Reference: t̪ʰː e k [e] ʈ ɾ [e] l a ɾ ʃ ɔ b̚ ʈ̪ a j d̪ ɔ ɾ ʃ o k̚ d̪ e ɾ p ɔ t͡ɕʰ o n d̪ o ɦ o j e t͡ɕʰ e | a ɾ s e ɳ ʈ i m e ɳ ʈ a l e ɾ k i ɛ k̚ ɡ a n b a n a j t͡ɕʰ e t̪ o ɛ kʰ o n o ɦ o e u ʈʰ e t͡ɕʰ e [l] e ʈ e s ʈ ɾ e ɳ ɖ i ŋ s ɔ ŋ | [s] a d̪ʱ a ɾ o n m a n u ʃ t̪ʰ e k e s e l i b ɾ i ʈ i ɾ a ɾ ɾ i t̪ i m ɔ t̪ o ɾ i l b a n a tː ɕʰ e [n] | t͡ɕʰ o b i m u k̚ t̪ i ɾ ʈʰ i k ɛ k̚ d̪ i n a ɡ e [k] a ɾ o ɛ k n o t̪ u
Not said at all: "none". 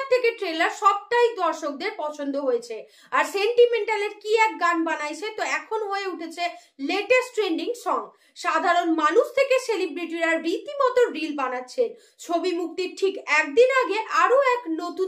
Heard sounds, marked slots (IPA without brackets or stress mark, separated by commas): e, e, l, ʃ, n, ʔ